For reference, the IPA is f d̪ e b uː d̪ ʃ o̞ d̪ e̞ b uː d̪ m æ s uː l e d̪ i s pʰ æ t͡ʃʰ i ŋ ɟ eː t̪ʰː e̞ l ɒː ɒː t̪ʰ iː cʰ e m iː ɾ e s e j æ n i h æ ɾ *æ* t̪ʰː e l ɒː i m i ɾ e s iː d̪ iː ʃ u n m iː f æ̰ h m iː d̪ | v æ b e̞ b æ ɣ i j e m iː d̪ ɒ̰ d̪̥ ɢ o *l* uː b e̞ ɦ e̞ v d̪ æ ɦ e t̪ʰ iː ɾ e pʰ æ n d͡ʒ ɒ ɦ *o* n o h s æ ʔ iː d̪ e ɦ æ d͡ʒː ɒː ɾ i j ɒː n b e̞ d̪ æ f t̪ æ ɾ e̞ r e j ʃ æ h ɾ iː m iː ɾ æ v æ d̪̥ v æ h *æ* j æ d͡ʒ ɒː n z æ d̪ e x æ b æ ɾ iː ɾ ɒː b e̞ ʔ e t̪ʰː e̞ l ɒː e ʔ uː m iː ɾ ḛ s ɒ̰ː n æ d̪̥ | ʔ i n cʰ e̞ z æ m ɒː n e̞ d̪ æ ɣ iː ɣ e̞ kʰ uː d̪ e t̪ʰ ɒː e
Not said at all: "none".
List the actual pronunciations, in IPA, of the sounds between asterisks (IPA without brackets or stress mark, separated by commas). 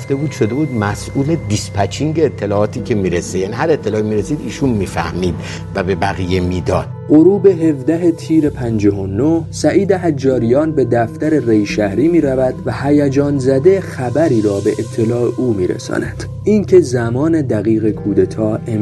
e, ɾ, o, æ